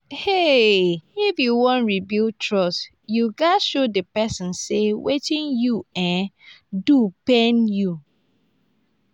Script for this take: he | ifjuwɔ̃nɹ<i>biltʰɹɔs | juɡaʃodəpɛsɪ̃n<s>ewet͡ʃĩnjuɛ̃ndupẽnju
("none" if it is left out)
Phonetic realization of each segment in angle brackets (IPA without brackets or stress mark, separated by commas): i, s